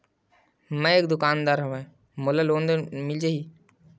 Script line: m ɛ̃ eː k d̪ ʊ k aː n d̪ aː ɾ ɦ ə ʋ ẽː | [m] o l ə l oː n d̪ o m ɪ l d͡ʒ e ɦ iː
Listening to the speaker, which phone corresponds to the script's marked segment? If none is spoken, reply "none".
m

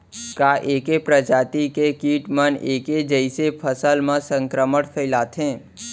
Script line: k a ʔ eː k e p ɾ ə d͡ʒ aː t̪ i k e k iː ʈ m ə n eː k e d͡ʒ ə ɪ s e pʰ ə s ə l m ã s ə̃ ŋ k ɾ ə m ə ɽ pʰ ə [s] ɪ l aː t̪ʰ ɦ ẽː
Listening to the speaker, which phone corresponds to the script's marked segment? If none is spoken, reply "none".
none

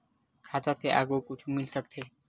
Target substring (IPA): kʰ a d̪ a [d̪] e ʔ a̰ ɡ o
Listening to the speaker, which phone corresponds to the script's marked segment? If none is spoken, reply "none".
t̪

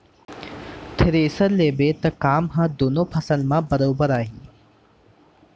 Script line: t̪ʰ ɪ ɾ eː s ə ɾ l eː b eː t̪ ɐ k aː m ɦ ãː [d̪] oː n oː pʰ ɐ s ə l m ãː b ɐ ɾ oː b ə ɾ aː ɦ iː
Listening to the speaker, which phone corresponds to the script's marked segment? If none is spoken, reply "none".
d̪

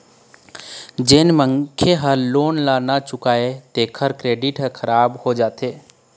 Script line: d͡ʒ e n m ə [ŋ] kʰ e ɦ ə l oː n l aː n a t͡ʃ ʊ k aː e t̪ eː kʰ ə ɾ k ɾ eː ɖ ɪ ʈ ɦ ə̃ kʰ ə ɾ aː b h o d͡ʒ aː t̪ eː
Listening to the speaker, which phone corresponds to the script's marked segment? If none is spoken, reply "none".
ŋ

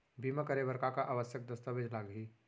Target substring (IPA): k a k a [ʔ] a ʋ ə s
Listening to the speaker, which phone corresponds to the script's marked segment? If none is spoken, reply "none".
ʔ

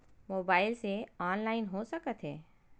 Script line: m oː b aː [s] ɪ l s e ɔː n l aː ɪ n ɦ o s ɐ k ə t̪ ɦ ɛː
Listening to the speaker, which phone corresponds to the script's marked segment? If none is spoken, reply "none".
none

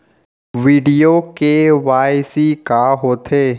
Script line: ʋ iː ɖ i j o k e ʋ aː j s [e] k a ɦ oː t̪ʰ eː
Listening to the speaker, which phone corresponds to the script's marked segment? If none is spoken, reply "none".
i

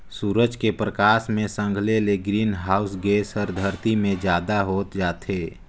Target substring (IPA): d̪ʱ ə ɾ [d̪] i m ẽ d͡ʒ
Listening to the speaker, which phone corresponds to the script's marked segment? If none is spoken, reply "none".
t̪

